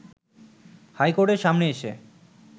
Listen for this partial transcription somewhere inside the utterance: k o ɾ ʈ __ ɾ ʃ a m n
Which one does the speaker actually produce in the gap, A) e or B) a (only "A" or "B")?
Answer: A